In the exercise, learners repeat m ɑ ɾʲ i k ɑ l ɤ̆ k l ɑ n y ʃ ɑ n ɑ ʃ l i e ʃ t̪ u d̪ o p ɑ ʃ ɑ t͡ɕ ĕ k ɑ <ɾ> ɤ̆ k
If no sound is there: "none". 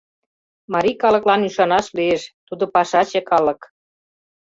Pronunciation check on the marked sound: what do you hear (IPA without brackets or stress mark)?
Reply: l